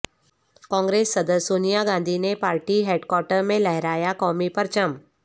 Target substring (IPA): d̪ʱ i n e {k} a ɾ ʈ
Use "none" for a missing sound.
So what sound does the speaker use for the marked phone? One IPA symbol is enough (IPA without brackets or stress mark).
p